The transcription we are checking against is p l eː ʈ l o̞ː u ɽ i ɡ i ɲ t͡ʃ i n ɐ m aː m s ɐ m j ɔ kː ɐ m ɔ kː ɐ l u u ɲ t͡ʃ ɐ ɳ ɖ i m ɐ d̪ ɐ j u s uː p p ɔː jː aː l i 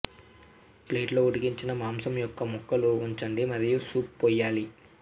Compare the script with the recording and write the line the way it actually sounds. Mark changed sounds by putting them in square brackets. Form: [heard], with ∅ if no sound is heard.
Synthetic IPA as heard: p l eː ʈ l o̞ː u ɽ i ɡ i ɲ t͡ʃ i n ɐ m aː m s ɐ m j ɔ kː ɐ m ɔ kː ɐ l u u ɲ t͡ʃ ɐ ɳ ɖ i m ɐ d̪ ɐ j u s uː p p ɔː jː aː l i